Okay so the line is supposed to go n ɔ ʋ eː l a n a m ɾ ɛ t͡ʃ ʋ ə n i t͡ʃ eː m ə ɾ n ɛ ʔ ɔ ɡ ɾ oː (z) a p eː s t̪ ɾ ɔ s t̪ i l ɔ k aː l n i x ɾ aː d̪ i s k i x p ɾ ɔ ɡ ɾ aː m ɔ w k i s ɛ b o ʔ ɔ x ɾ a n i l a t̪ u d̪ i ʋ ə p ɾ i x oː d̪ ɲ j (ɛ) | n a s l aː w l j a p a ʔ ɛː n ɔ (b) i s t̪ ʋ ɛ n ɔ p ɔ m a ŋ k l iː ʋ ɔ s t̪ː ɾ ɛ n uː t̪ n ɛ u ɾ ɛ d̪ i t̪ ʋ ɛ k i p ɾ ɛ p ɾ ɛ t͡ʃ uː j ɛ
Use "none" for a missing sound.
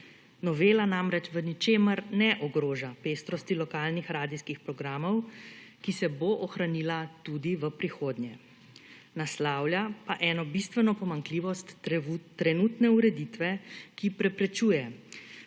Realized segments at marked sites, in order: ʒ, ɛ, b

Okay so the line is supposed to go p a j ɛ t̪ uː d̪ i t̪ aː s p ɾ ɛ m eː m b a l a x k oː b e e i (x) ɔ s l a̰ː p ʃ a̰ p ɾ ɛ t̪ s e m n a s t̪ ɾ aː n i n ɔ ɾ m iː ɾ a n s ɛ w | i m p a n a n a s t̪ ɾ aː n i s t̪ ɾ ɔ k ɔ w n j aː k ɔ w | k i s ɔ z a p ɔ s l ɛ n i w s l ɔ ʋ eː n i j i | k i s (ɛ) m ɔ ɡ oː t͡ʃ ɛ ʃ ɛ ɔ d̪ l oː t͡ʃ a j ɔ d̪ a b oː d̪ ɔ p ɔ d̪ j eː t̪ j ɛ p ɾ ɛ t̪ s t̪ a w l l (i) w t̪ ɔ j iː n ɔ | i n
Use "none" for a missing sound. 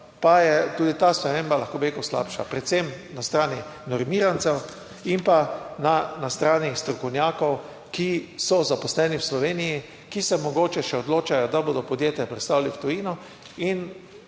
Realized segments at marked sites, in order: k, ɛ, i

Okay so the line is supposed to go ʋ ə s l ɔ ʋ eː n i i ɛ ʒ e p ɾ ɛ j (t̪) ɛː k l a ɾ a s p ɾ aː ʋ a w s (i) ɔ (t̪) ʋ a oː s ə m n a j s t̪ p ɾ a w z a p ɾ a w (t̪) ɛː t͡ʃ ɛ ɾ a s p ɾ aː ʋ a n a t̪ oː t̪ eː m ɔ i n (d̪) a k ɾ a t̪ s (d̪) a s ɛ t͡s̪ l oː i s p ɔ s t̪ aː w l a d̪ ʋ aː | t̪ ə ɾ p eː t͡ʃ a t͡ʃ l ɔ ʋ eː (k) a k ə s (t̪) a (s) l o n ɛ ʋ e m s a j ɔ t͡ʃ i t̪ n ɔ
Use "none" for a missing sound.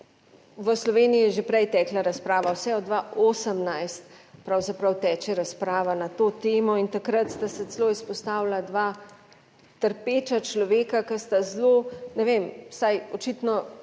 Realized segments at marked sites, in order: t̪, ɛ, d̪, t̪, t̪, t̪, k, t̪, z

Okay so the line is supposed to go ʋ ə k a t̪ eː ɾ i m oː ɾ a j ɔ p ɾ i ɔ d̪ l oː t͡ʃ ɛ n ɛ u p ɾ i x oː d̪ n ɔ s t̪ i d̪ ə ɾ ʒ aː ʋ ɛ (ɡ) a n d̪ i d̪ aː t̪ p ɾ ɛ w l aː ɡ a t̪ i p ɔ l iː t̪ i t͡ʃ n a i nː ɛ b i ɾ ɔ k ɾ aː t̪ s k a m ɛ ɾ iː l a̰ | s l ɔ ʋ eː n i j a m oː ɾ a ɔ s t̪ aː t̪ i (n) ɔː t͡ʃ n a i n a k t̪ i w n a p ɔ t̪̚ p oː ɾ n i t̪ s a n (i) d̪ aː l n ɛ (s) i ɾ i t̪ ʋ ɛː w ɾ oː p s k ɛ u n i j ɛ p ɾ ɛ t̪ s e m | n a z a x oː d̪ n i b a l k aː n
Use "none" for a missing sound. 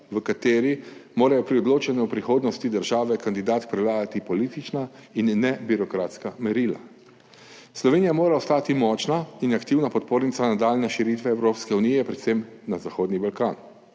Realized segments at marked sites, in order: k, m, a, ʃ

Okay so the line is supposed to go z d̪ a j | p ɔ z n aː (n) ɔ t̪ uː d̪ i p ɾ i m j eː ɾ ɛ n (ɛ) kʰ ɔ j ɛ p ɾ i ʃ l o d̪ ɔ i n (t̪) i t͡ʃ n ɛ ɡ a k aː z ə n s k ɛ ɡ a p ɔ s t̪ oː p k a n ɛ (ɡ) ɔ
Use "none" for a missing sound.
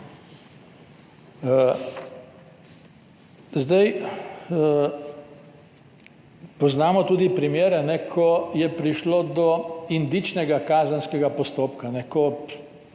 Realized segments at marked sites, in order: m, ɛ, d̪, k

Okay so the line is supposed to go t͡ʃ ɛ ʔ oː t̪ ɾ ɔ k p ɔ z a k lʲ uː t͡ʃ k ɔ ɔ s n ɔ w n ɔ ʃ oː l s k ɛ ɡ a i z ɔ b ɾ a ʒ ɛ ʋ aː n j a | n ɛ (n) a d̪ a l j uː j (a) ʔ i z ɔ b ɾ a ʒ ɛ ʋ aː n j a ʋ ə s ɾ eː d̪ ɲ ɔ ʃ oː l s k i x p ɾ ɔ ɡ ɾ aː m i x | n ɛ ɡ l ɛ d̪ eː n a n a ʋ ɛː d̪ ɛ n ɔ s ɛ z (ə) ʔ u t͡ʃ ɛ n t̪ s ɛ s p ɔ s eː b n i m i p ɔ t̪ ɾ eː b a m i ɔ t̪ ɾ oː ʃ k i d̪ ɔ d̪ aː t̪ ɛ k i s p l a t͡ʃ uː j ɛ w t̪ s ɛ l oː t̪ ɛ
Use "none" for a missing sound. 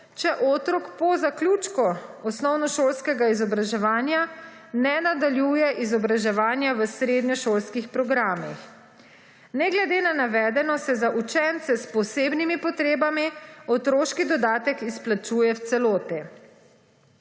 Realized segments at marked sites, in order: n, ɛ, a

